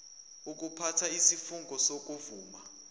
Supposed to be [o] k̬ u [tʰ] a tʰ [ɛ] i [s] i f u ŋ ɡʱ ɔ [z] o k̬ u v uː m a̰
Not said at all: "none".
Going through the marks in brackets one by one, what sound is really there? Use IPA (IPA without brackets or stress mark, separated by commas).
u, pʰ, a, s, s